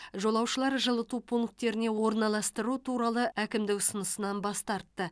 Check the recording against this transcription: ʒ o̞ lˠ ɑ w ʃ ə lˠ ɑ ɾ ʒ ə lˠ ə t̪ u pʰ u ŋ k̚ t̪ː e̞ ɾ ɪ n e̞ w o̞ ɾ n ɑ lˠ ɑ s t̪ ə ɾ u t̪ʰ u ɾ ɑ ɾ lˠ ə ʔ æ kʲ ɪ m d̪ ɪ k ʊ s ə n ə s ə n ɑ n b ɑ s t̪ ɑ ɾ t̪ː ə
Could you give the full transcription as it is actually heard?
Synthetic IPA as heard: ʒ o̞ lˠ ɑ w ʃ ə lˠ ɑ ɾ ʒ ə lˠ ə t̪ u pʰ u ŋ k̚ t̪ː e̞ ɾ ɪ n e̞ w o̞ ɾ n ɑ lˠ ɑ s t̪ ə ɾ u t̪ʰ u ɾ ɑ lˠ ə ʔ æ kʲ ɪ m d̪ ɪ k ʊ s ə n ə s ə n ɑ n b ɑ s t̪ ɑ ɾ t̪ː ə